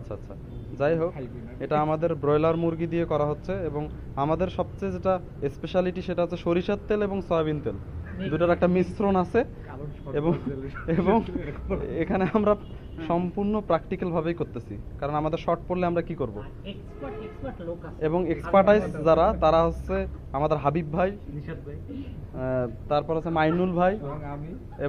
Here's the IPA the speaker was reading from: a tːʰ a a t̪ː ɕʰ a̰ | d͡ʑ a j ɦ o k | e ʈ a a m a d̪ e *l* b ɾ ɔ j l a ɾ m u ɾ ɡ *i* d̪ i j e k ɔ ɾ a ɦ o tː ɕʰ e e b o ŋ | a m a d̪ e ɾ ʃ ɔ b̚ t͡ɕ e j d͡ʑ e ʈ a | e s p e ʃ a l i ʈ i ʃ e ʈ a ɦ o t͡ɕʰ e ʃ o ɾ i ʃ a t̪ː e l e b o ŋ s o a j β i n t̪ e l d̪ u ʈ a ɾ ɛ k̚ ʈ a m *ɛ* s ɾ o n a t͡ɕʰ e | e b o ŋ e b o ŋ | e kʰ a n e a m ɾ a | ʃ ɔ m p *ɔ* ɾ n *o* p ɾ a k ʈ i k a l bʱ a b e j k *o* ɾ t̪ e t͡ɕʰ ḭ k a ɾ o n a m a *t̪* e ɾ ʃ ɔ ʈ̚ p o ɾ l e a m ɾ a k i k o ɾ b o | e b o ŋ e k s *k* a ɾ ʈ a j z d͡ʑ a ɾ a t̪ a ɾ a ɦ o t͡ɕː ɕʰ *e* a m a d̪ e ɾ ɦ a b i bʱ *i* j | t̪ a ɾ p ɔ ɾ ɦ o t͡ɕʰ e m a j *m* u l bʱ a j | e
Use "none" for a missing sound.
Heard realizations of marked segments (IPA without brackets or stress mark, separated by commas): ɾ, i, i, u, o, o, d̪, p, e, a, n